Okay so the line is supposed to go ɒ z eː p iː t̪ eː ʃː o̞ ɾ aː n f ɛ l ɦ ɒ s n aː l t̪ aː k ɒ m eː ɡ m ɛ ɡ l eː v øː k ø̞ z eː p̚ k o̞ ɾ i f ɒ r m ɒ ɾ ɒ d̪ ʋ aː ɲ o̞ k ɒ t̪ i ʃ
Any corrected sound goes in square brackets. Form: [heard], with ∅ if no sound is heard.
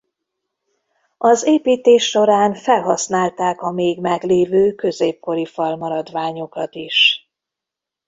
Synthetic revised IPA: ɒ z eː p iː t̪ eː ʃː o̞ ɾ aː n f ɛ l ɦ ɒ s n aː l t̪ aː k ɒ m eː ɡ m ɛ ɡ l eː v øː k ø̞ z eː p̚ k o̞ ɾ i f ɒ [l] m ɒ ɾ ɒ d̪ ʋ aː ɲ o̞ k ɒ t̪ i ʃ

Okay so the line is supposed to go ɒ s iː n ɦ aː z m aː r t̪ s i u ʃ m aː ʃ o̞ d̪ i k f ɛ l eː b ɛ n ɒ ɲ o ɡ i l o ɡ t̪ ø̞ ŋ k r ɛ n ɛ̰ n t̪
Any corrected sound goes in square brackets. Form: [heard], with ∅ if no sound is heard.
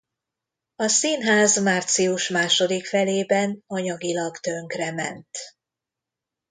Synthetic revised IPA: ɒ s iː n ɦ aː z m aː r t̪ s i u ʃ m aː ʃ o̞ d̪ i k f ɛ l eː b ɛ n ɒ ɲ [ɒ] ɡ i l [ɒ] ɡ t̪ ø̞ ŋ k r ɛ [m] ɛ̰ n t̪

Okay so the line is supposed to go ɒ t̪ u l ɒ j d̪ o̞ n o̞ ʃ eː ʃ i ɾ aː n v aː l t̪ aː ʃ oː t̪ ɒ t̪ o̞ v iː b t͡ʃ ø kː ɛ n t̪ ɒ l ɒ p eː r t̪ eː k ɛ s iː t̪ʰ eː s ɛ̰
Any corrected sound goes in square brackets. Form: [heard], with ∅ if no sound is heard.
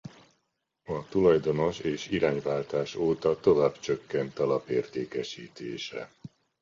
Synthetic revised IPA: ɒ t̪ u l ɒ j d̪ o̞ n o̞ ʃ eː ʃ i ɾ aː [ɲ] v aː l t̪ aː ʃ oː t̪ ɒ t̪ o̞ v [aː] b t͡ʃ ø kː ɛ n t̪ ɒ l ɒ p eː r t̪ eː k ɛ [ʃ] iː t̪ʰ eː [ʃ] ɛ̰

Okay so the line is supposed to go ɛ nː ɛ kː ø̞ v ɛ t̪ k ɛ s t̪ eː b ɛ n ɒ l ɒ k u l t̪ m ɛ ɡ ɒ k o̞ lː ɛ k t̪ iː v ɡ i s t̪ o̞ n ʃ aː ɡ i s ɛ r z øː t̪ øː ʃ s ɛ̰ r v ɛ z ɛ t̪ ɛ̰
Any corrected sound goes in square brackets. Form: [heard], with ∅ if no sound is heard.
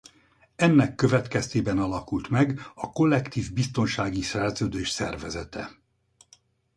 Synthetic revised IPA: ɛ nː ɛ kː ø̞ v ɛ t̪ k ɛ s t̪ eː b ɛ n ɒ l ɒ k u l t̪ m ɛ ɡ ɒ k o̞ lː ɛ k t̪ iː v [b] i s t̪ o̞ n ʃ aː ɡ i s ɛ r z øː [d̪] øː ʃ s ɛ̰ r v ɛ z ɛ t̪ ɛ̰

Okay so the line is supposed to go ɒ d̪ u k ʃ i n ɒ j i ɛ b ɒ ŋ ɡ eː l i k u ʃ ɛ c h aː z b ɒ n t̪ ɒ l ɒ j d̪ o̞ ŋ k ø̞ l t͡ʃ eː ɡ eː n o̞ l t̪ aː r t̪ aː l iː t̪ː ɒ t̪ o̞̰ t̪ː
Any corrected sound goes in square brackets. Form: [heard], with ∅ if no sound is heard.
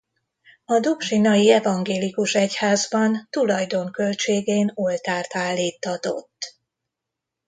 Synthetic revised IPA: ɒ d̪ u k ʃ i n ɒ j i ɛ [v] ɒ ŋ ɡ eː l i k u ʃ ɛ c h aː z b ɒ n t̪ [u] l ɒ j d̪ o̞ ŋ k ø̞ l t͡ʃ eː ɡ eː n o̞ l t̪ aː r t̪ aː [lː] iː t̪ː ɒ t̪ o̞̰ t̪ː

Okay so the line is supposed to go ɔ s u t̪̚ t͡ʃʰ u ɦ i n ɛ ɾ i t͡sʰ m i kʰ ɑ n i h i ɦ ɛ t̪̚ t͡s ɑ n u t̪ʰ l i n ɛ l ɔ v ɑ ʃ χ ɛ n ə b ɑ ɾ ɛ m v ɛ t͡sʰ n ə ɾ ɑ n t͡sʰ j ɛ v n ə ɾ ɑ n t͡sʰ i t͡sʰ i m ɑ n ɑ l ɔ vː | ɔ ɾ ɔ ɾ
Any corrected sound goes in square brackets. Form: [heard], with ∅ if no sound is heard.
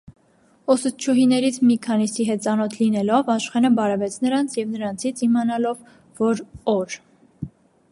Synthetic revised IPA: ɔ s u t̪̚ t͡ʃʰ u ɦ i n ɛ ɾ i t͡sʰ m i kʰ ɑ n i [s] i ɦ ɛ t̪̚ t͡s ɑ n [ɔ] t̪ʰ l i n ɛ l ɔ v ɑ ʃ χ ɛ n ə b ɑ ɾ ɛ [∅] v ɛ t͡sʰ n ə ɾ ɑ n t͡sʰ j ɛ v n ə ɾ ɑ n t͡sʰ i t͡sʰ i m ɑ n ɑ l ɔ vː | ɔ ɾ ɔ ɾ

